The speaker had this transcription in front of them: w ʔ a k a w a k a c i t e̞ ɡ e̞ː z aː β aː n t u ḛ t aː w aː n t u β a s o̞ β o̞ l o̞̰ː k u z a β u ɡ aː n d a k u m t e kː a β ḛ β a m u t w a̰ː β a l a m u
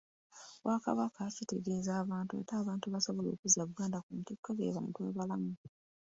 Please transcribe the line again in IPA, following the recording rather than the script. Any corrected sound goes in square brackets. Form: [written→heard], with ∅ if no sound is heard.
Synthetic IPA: w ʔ a k a [w→β] a k a c i t e̞ ɡ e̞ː z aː β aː n t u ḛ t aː [w→β] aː n t u β a s o̞ β o̞ l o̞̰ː k u z a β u ɡ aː n d a k u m t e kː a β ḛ β a m u t w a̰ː β a l a m u